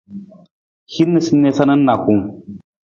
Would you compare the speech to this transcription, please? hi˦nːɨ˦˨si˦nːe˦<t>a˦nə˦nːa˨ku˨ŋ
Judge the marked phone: incorrect: s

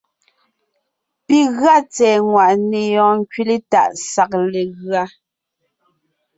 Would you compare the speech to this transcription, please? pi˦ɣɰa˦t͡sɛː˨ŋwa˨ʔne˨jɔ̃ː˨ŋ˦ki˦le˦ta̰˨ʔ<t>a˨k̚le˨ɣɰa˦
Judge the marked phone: incorrect: s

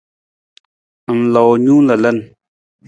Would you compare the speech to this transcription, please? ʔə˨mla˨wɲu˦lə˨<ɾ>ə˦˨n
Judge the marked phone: incorrect: l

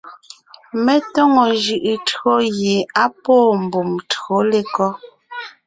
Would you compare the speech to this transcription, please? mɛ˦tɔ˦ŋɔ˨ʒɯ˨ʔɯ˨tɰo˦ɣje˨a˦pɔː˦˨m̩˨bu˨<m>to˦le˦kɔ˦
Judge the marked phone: correct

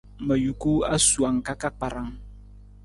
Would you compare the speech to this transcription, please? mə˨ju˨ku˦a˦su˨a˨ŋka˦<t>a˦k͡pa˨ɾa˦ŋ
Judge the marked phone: incorrect: k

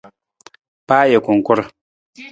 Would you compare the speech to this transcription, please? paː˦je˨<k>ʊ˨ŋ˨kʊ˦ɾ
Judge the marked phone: correct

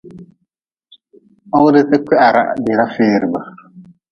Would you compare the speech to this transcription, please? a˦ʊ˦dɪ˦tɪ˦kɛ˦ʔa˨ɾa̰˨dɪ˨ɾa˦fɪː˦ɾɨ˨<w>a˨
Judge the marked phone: incorrect: b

